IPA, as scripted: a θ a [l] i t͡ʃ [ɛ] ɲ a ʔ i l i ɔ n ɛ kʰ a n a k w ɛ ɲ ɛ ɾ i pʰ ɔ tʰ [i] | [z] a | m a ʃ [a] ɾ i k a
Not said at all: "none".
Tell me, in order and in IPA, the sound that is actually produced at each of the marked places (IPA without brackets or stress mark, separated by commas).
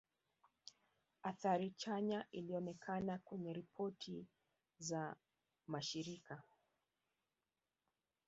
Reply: ɾ, a, i, z, i